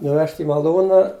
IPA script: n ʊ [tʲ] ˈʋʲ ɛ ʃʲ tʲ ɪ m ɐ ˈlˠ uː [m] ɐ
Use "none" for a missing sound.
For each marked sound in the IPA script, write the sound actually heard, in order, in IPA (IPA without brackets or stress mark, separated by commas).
none, n